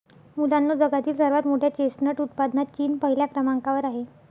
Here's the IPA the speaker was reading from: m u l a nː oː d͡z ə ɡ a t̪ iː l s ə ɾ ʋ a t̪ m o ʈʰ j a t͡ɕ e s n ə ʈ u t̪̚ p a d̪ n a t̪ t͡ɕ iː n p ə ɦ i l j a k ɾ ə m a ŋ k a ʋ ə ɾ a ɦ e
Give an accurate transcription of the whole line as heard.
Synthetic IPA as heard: m u l a nː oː d͡z ə ɡ a t̪ iː l s ə ɾ ʋ a t̪ m o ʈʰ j a t͡ɕ e s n ə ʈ u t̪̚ p a d̪ n a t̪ t͡ɕ iː n p ə ɦ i l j a k ɾ ə m a ŋ k a ʋ ə ɾ a ɦ e